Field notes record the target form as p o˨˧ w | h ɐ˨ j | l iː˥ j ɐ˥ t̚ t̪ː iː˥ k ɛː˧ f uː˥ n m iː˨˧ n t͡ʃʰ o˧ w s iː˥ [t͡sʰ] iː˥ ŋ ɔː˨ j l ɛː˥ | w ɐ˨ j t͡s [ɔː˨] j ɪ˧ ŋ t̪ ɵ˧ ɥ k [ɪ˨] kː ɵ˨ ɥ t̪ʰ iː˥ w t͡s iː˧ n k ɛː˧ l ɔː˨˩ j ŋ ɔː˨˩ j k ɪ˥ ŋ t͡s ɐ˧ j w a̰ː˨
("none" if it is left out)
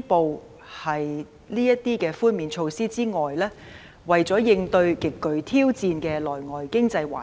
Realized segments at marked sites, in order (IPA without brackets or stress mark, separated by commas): t͡s, ɔː˨˥, ɪ˨